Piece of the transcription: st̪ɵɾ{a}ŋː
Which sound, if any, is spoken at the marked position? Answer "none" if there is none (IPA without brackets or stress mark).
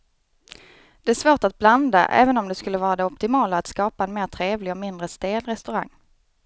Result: a